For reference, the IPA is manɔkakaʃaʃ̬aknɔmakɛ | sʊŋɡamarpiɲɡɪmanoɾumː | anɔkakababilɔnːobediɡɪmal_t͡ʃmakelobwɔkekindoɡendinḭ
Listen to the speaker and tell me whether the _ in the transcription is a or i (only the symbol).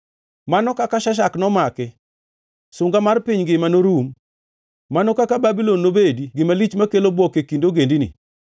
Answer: i